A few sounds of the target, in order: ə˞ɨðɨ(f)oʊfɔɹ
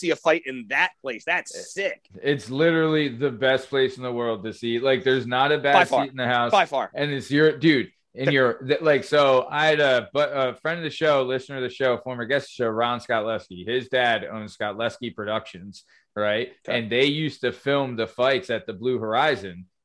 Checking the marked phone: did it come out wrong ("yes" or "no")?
yes